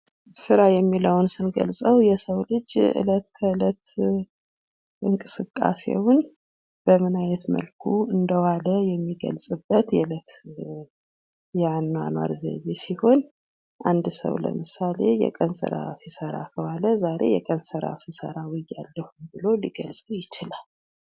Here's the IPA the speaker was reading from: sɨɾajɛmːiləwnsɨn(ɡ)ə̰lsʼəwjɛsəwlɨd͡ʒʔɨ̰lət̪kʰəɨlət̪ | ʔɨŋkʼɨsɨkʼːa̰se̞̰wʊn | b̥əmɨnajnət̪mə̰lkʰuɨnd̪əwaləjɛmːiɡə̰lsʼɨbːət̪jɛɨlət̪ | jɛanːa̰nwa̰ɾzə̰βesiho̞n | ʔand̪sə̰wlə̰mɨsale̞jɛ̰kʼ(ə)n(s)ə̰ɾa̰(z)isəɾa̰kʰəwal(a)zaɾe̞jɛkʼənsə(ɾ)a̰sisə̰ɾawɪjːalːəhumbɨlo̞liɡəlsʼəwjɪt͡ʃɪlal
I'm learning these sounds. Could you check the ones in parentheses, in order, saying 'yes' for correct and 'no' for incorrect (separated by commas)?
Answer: yes, yes, yes, no, no, yes